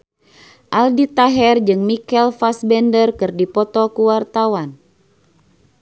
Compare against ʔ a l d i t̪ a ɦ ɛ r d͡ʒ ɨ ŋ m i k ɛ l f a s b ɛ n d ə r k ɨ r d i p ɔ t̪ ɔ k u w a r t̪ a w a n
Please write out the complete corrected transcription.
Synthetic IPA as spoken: ʔ a l d i t̪ a ɦ ɛ r d͡ʒ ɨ ŋ m i k ɛ l f a s b ɛ n d ə r k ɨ r d i p ɔ t̪ ɔ k u w a r t̪ a w a n